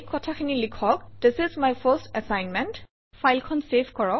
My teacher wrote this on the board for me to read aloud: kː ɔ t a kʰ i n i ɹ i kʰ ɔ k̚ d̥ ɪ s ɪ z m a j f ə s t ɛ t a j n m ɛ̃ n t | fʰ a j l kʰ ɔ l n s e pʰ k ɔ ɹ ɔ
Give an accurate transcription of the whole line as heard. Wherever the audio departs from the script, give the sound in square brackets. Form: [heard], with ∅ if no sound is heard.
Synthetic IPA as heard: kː ɔ [tʰ] a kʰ i n i [l] i kʰ ɔ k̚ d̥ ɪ s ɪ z m a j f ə s t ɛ [s] a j n m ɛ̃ n t | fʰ a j l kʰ ɔ [∅] n s e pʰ k ɔ ɹ ɔ

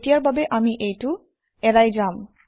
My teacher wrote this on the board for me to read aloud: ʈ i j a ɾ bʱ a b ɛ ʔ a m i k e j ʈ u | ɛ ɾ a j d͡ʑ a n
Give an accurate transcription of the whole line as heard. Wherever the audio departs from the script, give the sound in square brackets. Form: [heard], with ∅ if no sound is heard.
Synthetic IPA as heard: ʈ i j a ɾ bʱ a b [e] ʔ a m i [ʔ] e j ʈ u | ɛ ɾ a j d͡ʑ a [m]

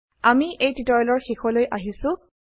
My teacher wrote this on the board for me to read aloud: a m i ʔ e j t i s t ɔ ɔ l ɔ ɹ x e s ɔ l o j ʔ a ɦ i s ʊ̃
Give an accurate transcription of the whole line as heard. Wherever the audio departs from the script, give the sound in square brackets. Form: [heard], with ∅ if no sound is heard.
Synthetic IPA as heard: a m i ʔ e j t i [∅] t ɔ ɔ l ɔ ɹ x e [x] ɔ l o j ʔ a ɦ i s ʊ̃

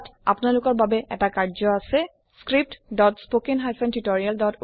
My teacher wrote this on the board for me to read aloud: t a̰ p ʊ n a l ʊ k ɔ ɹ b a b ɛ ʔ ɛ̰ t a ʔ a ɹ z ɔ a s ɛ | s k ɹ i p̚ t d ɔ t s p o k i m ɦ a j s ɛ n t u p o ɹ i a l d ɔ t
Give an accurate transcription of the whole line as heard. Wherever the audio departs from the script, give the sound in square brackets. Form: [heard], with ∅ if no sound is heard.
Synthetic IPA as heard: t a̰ p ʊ n a l ʊ k ɔ ɹ b a b ɛ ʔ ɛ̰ t a [k] a ɹ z ɔ a s ɛ | s k ɹ i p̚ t d ɔ t s p o k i [n] ɦ a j s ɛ n t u [t] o ɹ i a l d ɔ t

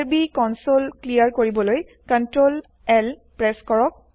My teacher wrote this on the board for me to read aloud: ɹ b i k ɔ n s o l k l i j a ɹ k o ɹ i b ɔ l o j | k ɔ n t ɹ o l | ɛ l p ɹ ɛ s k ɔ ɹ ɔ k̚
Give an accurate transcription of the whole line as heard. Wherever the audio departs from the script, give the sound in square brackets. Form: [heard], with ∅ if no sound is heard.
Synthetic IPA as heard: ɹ b i k ɔ n s o l k l i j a ɹ k o ɹ i b ɔ l o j | k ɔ n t ɹ o l | ɛ l p ɹ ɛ s k ɔ ɹ ɔ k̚

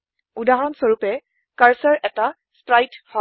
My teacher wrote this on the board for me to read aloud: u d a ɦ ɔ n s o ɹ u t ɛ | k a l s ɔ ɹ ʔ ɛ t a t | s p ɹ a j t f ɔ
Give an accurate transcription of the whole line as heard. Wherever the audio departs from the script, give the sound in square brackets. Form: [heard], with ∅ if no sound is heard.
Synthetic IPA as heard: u d a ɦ ɔ n s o ɹ u [p] ɛ | k a [ɹ] s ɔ ɹ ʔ ɛ t a [∅] | s p ɹ a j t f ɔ

